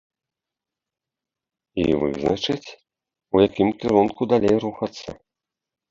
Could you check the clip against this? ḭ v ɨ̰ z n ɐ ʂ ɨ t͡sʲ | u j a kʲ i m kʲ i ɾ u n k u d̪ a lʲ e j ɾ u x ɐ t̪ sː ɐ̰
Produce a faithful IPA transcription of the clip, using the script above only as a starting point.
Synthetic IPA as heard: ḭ v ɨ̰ z n ɐ t͡ʂ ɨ t͡sʲ | u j a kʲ i m kʲ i ɾ u n k u d̪ a lʲ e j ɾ u x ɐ t̪ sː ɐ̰